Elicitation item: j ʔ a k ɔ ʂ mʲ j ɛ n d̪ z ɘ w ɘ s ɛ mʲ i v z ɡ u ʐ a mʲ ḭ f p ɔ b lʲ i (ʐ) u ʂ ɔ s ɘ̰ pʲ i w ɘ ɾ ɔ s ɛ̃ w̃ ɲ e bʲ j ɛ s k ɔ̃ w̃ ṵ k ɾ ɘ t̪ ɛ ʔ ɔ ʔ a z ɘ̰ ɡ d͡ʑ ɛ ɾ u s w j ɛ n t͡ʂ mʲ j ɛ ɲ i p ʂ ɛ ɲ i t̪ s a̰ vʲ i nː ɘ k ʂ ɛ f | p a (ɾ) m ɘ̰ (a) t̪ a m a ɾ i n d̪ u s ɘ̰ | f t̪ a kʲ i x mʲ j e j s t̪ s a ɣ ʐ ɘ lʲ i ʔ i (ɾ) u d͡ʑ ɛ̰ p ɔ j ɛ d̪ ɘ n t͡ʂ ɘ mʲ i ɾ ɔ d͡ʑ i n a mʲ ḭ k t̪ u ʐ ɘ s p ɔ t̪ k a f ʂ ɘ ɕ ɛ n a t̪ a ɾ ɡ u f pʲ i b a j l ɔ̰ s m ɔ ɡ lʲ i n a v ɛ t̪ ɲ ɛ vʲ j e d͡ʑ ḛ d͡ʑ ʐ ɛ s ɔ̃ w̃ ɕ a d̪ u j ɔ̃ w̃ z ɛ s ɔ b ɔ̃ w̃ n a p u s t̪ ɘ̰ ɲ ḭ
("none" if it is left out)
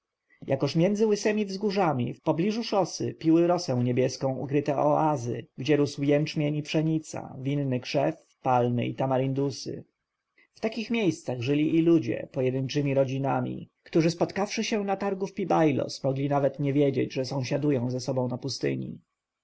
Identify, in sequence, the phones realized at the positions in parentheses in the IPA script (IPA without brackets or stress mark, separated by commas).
ʐ, l, i, l